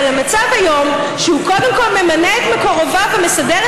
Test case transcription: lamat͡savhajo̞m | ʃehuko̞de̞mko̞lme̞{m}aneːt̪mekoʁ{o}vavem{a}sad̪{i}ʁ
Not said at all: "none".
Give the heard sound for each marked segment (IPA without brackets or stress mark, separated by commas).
m, o, e, e